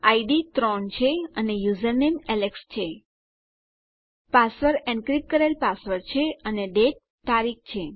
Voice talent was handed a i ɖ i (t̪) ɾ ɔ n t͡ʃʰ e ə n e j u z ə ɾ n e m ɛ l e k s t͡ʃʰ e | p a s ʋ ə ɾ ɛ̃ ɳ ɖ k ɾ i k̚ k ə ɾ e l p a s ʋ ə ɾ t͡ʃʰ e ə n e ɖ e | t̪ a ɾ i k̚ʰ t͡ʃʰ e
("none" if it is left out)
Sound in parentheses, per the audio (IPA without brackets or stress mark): t̪